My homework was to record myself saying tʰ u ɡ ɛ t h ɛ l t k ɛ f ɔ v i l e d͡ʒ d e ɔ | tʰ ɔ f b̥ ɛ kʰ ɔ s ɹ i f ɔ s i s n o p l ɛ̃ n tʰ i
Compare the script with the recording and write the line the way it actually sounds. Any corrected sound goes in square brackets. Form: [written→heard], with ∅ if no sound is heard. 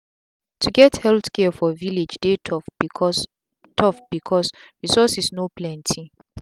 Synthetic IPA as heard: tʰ u ɡ ɛ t h ɛ l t k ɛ f ɔ v i l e d͡ʒ d e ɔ | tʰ ɔ f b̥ [ɛ→i] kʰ ɔ s ɹ i [f→s] ɔ s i s n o p l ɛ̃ n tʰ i